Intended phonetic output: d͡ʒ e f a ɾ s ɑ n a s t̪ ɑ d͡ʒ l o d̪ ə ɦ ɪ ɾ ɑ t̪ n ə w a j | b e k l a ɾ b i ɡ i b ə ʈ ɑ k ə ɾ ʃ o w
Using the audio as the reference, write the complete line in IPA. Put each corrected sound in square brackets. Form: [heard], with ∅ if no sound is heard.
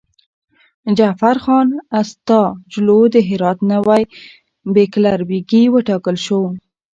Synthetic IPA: d͡ʒ [a] f a ɾ [x] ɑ n a s t̪ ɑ d͡ʒ l o d̪ ə ɦ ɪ ɾ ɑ t̪ n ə w a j | b e k l a ɾ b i ɡ i [w] ə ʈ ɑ k ə [l] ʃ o w